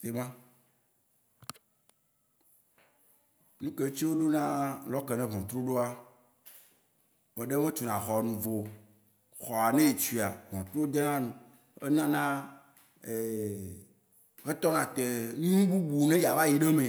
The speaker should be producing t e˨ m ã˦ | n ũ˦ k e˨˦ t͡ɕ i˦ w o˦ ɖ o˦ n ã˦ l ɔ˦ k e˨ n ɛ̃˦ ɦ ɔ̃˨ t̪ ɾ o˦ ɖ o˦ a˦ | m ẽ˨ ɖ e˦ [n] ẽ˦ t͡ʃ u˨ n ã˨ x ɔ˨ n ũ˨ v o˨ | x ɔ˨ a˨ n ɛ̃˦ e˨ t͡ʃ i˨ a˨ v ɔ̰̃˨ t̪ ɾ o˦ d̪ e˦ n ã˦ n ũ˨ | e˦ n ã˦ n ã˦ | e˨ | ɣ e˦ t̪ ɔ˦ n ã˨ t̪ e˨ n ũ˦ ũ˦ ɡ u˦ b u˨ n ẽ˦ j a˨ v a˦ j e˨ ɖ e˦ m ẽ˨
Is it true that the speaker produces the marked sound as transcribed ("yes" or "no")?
no